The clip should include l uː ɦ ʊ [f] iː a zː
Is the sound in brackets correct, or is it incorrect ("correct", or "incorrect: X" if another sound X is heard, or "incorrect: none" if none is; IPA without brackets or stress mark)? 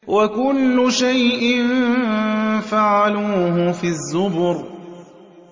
correct